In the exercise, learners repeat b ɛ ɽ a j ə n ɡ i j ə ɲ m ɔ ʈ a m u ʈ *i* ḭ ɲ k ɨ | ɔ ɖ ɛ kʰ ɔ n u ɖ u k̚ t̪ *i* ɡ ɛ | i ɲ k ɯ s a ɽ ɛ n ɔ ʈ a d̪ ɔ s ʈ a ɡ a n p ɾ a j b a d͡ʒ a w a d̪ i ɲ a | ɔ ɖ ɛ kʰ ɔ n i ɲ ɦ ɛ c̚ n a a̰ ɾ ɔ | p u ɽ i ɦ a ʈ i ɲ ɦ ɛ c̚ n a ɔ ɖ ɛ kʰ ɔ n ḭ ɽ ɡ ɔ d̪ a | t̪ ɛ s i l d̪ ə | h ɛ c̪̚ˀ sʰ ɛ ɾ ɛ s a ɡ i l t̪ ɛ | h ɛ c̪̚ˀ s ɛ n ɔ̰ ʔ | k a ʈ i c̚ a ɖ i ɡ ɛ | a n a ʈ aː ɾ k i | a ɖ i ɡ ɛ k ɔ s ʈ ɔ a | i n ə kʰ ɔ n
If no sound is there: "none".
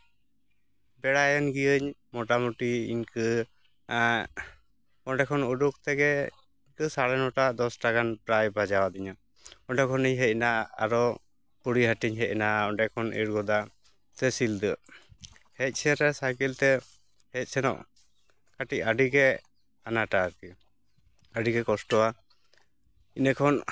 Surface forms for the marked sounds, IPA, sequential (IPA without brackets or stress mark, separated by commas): i, ɛ